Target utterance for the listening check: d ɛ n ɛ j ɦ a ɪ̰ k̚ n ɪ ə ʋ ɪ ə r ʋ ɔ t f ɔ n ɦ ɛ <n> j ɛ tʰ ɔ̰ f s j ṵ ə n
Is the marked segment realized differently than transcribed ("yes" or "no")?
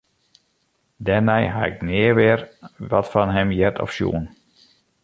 yes